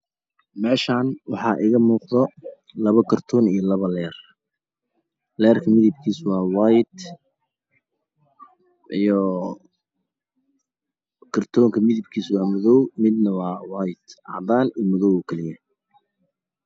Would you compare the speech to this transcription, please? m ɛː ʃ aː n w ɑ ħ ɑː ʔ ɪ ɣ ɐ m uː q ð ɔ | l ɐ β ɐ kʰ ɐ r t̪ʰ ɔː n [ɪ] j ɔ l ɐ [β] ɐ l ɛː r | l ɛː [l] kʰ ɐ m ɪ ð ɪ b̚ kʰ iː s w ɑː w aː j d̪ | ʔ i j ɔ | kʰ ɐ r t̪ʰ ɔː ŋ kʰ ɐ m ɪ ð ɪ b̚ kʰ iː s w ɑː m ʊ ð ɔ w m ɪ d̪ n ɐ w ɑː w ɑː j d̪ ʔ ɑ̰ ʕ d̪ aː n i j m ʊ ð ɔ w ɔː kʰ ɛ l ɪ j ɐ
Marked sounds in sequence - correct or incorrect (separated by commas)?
incorrect, correct, incorrect